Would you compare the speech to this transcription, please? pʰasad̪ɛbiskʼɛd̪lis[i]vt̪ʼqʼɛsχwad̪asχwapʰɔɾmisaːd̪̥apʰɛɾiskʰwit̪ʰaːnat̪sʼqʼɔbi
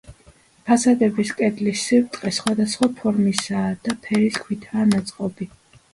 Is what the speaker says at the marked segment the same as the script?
yes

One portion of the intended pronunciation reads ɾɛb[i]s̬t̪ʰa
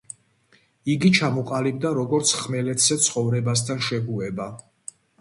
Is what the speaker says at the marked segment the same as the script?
no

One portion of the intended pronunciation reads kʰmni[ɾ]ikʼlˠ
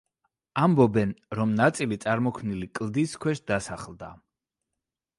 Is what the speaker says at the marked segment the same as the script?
no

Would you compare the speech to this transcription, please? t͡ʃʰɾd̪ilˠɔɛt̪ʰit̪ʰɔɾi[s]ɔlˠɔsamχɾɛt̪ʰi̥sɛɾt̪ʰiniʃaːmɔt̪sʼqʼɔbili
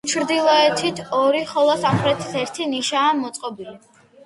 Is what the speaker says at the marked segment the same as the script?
no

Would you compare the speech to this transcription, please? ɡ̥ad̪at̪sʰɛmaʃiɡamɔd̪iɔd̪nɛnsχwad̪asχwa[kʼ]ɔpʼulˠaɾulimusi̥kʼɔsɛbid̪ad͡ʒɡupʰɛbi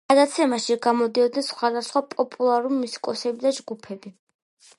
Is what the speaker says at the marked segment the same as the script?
no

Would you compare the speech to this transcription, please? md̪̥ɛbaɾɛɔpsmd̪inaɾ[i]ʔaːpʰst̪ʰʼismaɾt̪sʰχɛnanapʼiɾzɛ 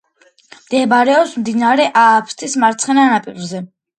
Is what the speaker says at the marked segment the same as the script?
no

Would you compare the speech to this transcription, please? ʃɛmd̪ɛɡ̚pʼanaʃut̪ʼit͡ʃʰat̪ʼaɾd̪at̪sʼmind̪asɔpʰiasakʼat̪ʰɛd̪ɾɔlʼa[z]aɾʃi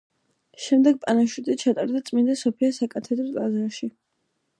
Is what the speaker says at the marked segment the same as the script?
yes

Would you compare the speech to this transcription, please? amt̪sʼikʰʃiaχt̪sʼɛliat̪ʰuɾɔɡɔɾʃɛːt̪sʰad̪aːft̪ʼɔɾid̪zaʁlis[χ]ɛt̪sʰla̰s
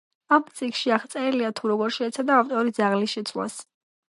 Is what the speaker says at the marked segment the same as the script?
no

